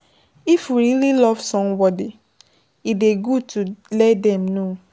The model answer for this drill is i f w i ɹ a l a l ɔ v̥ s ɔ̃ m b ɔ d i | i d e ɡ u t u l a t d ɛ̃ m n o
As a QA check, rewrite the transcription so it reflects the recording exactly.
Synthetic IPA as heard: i f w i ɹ i l i l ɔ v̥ s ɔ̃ m b ɔ d i | i d e ɡ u t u l ɛ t d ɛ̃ m n o